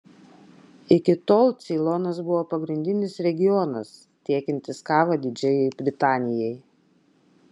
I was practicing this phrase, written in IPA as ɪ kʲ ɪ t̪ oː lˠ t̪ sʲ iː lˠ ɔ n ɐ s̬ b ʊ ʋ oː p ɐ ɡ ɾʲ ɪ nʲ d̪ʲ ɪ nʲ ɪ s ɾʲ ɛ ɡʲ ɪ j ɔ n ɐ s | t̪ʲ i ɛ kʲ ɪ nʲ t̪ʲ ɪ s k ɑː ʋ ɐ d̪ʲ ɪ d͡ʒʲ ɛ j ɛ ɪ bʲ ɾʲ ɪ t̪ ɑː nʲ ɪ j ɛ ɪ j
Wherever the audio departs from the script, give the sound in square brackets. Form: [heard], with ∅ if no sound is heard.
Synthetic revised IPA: ɪ kʲ ɪ t̪ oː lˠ t̪ sʲ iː lˠ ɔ n ɐ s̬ b ʊ ʋ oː p ɐ ɡ ɾʲ ɪ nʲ d̪ʲ ɪ nʲ ɪ s ɾʲ ɛ ɡʲ ɪ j ɔ n ɐ s | t̪ʲ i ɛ kʲ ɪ nʲ t̪ʲ ɪ s k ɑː ʋ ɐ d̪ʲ ɪ d͡ʒʲ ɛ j ɛ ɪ bʲ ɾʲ ɪ t̪ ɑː nʲ ɪ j ɛ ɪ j